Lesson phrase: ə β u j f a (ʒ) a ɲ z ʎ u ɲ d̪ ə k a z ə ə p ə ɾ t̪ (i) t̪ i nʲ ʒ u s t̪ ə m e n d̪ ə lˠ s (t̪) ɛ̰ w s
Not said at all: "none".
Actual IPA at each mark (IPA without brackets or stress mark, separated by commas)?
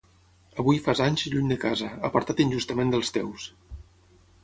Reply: z, a, t̪